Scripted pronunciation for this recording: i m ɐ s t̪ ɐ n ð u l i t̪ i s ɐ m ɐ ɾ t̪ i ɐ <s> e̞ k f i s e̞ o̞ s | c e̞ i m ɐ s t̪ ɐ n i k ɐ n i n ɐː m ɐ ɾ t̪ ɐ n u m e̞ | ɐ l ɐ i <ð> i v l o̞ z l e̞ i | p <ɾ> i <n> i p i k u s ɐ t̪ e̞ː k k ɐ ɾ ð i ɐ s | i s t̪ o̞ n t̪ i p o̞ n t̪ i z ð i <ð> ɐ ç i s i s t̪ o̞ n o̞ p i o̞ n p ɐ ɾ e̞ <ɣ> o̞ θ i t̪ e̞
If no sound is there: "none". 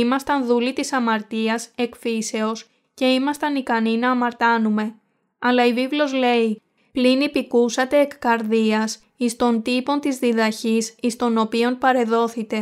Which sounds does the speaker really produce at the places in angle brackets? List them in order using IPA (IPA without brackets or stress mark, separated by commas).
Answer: s, v, l, n, ð, ð